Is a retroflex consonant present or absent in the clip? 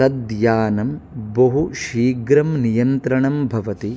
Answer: present